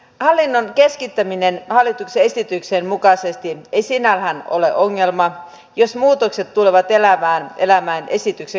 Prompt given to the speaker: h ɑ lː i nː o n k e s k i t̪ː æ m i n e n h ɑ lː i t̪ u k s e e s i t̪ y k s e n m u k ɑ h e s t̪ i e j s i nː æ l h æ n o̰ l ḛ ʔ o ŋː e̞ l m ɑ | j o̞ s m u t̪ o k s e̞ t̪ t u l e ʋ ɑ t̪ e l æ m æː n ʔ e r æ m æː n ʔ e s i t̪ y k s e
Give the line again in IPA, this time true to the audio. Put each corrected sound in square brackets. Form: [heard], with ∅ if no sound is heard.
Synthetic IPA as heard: h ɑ lː i nː o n k e s k i t̪ː æ m i n e n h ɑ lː i t̪ u k s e e s i t̪ y k s e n m u k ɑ [s] e s t̪ i e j s i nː æ l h æ n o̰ l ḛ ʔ o ŋː e̞ l m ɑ | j o̞ s m [uː] t̪ o k s e̞ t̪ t u l e ʋ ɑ t̪ e l æ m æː n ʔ e [l] æ m æː n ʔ e s i t̪ y k s e